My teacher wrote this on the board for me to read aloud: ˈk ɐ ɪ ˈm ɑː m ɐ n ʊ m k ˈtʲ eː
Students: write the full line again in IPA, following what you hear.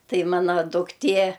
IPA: ˈt ɐ ɪ ˈm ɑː n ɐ d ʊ k ˈtʲ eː